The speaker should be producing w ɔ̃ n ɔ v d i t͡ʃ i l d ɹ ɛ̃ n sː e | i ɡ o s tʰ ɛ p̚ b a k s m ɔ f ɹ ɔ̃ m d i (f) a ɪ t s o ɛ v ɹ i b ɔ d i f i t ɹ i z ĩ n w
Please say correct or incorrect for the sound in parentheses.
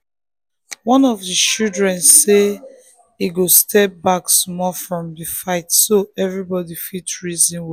correct